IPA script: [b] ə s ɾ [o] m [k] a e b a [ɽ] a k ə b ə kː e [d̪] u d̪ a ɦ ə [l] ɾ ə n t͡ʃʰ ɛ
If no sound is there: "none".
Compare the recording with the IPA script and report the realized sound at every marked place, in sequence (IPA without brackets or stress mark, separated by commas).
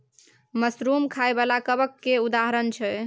m, u, kʰ, l, none, none